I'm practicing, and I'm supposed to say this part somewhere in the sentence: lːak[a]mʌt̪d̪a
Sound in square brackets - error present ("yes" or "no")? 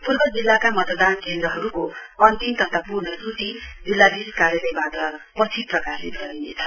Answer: no